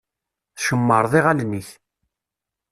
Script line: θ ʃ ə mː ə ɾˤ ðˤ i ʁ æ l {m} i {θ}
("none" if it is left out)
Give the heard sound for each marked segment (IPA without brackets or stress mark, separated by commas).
n, θ